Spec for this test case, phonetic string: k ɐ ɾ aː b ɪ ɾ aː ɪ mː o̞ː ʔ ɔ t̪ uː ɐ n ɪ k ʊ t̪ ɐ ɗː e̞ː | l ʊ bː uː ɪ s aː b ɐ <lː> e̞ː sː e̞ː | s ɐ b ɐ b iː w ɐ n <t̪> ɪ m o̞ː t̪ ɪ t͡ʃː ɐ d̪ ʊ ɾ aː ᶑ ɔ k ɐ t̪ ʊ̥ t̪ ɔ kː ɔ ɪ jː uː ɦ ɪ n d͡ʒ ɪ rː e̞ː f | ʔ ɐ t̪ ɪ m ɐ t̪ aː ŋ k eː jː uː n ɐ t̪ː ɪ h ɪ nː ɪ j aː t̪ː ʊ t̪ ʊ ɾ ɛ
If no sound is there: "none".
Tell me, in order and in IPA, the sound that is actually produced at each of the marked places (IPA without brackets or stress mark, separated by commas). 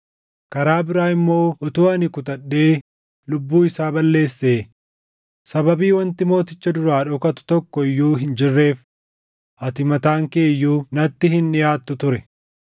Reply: lː, t̪